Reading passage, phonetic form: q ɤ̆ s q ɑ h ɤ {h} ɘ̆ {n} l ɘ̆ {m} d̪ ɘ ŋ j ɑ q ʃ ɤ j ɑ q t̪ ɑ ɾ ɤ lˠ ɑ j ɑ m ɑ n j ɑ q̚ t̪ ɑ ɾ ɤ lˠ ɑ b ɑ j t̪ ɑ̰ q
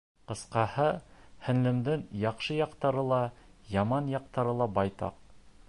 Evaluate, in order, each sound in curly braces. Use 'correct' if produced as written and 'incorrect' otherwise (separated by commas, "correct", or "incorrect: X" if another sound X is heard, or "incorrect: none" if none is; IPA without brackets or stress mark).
correct, correct, correct